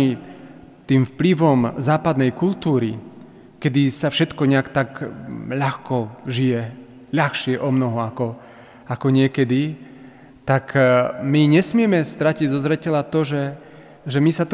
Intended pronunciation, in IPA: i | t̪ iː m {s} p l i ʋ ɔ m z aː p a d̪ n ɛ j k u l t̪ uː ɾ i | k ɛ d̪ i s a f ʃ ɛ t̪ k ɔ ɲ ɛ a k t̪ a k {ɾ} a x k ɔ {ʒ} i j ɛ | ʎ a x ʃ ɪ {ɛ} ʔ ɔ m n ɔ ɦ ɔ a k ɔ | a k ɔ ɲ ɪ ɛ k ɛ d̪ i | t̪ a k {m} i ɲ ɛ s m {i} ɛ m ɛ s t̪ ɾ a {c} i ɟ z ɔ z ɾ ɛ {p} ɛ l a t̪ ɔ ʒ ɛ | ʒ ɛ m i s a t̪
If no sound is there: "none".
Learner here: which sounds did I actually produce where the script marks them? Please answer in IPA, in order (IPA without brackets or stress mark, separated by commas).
f, ʎ, ʒ, ɛ, m, ɪ, c, c